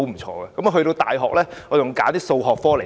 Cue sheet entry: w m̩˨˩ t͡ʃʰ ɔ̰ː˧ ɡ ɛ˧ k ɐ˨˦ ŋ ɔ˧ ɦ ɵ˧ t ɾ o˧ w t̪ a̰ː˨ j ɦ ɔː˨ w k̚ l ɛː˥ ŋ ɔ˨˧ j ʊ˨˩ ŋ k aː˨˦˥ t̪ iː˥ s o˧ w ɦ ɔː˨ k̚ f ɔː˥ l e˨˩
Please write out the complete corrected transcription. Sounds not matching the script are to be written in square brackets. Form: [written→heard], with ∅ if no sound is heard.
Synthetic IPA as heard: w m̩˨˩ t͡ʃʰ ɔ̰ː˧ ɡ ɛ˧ k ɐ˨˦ [ŋ→m] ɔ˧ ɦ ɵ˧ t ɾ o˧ w t̪ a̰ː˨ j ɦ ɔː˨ [w→∅] k̚ l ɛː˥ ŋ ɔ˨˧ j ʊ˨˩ ŋ k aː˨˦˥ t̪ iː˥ s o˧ w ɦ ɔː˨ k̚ f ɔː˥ l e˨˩

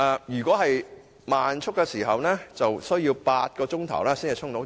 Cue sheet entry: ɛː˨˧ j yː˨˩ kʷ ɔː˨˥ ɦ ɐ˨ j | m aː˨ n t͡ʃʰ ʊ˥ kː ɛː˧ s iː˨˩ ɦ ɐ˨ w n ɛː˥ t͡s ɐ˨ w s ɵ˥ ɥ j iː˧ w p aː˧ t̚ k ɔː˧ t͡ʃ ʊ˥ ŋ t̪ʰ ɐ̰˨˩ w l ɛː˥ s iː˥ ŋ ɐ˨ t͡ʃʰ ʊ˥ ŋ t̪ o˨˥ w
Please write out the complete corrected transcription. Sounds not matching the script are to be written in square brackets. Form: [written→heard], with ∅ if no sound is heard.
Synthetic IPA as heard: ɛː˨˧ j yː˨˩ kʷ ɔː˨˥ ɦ ɐ˨ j | m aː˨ n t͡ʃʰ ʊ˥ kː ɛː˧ s iː˨˩ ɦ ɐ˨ w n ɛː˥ t͡s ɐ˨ w s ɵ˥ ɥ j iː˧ w p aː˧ t̚ k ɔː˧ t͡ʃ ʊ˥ ŋ t̪ʰ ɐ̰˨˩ w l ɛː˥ s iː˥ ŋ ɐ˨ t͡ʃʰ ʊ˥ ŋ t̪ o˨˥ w

